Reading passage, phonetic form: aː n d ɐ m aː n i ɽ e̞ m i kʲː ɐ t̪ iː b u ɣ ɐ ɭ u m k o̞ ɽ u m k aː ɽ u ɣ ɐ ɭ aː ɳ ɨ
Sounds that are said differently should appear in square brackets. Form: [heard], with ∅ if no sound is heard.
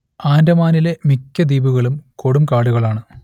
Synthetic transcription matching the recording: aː n d ɐ m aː n i [l] e̞ m i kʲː ɐ [d̪] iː b u ɣ ɐ ɭ u m k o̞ ɽ u m k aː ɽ u ɣ ɐ ɭ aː ɳ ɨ